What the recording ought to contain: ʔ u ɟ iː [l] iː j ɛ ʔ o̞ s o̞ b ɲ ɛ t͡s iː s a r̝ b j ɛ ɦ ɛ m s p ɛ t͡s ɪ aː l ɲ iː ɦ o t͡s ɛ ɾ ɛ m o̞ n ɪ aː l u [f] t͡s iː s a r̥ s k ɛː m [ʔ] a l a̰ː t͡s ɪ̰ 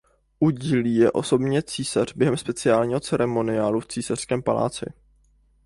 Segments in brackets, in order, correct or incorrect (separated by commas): correct, correct, incorrect